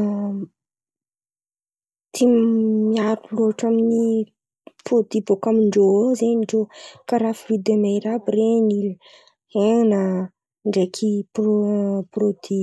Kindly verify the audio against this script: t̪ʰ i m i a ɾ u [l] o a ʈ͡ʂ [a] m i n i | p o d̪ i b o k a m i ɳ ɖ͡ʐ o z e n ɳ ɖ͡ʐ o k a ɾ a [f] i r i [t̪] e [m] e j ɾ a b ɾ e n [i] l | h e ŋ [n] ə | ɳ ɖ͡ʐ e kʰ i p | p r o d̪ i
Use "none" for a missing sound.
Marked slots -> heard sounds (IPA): l, a, f, d̪, m, i, n

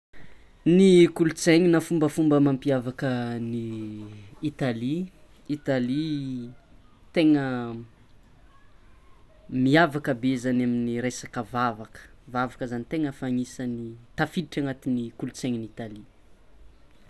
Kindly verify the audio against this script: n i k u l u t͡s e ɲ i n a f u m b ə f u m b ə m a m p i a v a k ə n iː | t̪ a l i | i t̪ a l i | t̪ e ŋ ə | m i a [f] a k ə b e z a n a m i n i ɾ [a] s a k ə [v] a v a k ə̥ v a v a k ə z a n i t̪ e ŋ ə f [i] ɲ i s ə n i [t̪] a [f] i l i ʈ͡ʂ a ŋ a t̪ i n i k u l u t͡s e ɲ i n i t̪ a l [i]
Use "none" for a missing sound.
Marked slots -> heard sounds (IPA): v, e, v, a, t̪, f, i

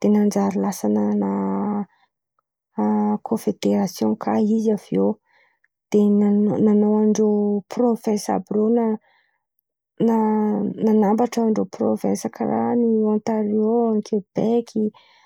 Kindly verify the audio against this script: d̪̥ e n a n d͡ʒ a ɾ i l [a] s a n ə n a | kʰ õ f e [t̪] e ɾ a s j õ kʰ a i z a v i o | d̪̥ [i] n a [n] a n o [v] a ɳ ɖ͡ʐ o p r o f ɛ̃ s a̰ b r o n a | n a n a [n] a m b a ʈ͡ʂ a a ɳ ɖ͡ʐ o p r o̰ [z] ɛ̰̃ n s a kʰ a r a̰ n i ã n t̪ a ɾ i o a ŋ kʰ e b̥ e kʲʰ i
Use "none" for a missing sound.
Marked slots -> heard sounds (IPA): a, d̪, e, n, w, n, v

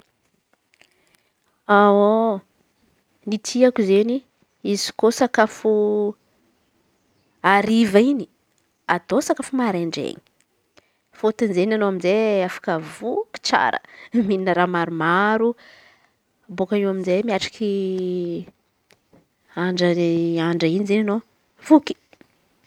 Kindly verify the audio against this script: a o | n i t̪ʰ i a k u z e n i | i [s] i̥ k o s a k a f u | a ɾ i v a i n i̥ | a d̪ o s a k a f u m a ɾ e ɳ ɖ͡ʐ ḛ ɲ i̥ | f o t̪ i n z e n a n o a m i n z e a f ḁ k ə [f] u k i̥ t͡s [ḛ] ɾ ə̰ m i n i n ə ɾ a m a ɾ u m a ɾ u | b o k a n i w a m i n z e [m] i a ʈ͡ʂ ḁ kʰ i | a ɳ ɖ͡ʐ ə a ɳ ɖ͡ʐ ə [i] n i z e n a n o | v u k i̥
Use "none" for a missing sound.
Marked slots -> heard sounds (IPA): z, v, a̰, m, i

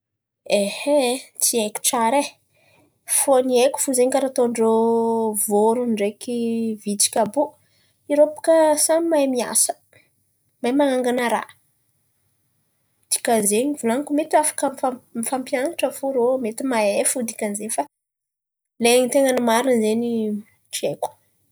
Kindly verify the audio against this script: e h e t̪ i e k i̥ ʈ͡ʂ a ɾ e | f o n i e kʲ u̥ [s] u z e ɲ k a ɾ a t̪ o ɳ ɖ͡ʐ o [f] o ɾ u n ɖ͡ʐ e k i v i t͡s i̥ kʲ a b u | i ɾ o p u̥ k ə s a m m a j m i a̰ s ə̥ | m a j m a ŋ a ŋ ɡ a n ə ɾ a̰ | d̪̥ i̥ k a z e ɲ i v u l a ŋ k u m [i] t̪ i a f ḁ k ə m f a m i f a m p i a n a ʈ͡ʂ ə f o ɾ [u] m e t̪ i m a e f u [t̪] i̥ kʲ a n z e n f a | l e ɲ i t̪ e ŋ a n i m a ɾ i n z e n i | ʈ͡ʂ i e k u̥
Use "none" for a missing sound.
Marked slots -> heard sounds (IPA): f, v, e, o, d̪

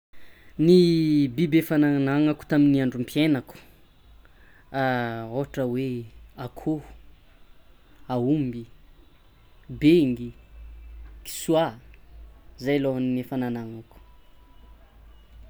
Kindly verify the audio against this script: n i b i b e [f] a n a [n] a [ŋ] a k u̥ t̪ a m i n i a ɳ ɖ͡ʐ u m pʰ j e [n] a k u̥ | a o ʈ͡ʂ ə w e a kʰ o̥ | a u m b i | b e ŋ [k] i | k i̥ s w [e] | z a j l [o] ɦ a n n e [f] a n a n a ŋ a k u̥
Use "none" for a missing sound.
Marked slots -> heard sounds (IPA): f, n, ŋ, n, ɡ, a, o, f

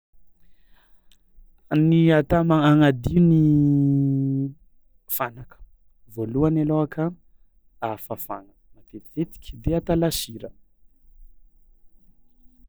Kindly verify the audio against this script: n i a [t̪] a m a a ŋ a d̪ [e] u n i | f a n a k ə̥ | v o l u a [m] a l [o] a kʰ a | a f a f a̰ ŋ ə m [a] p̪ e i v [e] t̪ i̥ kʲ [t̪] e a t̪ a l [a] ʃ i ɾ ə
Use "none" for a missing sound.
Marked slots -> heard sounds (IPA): t̪, i, n, o, a, e, d̪, a

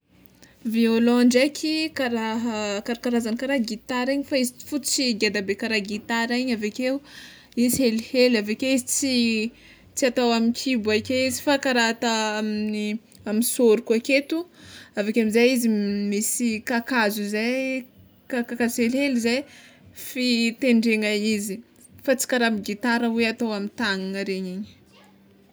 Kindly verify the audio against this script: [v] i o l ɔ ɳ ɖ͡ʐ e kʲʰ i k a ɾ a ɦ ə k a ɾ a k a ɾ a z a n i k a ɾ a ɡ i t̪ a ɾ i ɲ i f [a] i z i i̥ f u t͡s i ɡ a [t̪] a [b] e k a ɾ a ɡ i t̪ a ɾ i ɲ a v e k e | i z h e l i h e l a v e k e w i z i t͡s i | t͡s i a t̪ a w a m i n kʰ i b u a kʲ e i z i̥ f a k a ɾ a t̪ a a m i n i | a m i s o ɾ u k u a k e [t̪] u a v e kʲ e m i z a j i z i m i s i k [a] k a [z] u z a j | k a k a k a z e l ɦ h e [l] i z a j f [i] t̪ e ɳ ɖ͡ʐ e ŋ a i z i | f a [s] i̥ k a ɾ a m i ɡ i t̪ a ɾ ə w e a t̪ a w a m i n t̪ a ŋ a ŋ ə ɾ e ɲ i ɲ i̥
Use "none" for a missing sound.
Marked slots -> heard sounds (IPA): v, a, d̪, b, t̪, a, z, l, i, t͡s

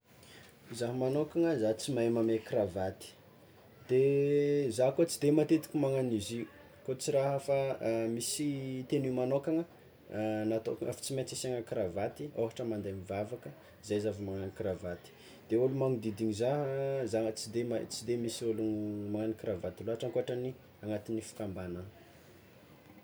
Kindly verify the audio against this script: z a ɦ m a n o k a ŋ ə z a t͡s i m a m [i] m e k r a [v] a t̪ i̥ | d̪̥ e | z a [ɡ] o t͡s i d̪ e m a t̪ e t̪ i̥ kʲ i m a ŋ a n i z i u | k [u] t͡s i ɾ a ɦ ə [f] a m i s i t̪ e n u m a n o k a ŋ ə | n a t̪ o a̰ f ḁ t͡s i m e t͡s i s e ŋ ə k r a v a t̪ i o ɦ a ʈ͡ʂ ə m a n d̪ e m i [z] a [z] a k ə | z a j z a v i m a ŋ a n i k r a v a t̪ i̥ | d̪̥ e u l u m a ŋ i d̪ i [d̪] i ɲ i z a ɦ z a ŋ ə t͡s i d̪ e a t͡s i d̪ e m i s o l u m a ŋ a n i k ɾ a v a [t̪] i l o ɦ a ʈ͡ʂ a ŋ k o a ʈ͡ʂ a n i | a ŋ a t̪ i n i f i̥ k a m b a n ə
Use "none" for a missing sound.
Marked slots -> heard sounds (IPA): a, v, k, o, f, v, v, d̪, t̪

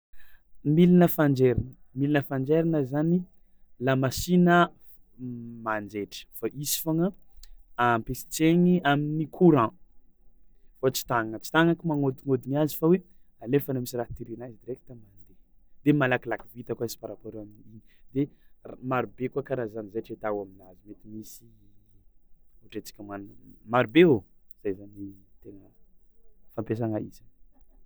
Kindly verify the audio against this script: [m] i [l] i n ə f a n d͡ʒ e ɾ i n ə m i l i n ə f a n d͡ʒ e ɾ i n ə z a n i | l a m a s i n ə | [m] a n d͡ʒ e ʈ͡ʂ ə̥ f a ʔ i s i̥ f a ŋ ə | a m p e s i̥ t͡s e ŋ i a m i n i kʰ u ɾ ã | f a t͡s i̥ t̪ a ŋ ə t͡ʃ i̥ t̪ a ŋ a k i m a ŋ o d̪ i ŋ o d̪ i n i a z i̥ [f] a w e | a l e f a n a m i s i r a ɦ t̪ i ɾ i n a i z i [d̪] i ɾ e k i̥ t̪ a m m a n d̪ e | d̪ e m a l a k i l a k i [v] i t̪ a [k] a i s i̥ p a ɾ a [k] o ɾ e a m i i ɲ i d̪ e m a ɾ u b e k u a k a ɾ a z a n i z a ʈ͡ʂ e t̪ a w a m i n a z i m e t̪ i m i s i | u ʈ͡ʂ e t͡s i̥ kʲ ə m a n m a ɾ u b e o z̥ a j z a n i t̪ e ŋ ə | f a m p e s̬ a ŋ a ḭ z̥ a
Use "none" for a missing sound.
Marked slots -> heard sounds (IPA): m, l, m, f, d̪, v, k, p

